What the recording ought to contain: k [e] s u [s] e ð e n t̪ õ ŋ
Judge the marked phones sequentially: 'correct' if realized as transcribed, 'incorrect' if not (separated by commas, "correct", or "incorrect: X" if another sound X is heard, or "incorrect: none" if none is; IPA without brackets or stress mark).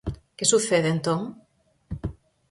correct, incorrect: θ